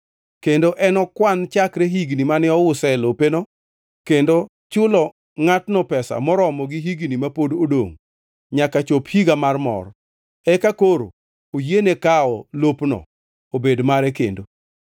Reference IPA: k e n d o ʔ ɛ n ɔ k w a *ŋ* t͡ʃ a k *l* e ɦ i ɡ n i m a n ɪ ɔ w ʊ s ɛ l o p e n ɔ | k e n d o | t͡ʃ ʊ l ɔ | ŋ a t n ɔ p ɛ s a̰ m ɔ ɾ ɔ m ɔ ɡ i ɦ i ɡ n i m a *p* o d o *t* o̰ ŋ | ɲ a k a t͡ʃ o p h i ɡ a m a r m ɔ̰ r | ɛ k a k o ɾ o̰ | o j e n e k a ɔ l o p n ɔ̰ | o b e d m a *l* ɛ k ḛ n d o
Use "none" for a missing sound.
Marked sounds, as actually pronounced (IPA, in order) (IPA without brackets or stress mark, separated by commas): n, ɾ, p, d, ɾ